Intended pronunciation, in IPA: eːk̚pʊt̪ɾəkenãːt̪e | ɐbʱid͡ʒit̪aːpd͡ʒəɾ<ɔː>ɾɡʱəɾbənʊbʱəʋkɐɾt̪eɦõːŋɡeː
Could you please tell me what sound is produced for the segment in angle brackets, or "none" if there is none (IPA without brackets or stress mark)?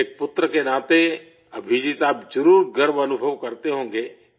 uː